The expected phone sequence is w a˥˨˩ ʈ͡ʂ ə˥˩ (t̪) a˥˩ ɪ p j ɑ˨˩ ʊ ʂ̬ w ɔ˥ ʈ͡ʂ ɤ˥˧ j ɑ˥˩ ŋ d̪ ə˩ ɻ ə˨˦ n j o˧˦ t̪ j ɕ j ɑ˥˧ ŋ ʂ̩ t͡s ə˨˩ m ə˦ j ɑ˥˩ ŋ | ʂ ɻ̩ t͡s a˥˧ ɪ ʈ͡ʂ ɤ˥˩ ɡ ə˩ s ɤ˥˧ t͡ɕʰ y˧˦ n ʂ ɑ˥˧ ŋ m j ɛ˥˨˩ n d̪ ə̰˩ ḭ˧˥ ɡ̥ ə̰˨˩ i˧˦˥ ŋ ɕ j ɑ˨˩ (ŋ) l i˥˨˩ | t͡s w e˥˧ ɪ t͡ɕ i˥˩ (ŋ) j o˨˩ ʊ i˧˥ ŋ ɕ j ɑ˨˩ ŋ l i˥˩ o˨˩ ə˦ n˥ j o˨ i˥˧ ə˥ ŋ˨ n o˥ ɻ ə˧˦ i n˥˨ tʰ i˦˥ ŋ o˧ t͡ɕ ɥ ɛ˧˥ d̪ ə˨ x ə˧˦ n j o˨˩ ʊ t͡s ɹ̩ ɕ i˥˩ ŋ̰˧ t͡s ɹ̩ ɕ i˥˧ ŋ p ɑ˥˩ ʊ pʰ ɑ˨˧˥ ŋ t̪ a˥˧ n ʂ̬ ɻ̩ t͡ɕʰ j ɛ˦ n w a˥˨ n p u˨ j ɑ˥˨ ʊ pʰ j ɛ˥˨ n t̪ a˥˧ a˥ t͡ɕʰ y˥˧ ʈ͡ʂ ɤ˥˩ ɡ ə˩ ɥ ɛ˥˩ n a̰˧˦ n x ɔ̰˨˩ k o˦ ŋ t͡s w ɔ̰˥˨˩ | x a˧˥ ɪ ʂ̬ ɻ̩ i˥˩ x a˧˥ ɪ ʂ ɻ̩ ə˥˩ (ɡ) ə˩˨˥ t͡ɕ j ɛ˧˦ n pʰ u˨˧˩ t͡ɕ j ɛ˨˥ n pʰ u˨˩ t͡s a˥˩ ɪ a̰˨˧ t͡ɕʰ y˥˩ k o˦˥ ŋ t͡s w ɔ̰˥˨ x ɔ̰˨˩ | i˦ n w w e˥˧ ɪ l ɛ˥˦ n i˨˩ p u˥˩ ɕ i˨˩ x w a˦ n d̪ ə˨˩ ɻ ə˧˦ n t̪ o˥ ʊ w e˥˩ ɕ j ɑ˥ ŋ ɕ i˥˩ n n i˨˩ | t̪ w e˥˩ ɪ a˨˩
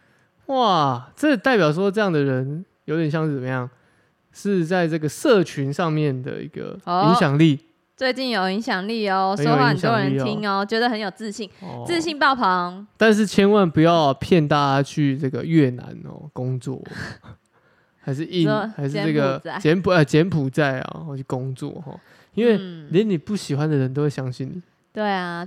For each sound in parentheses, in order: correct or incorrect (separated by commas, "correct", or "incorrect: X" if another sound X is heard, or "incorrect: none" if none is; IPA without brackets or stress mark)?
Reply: correct, correct, incorrect: n, correct